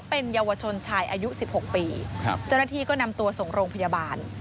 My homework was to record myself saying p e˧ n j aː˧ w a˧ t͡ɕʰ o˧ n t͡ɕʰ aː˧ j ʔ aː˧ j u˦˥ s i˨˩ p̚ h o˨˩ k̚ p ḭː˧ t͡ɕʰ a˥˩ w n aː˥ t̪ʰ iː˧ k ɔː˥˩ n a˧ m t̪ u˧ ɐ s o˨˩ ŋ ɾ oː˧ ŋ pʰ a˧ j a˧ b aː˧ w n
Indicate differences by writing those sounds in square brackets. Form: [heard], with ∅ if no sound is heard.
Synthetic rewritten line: p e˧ n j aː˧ w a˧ t͡ɕʰ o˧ n t͡ɕʰ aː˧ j ʔ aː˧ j u˦˥ s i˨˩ p̚ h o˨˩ k̚ p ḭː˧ [t͡ɕ] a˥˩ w n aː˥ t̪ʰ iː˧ k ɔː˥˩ n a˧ m t̪ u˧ ɐ s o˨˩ ŋ ɾ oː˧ ŋ pʰ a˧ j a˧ b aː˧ [∅] n